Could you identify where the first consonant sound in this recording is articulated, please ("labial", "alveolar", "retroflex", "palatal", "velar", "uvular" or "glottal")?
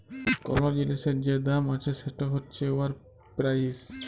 velar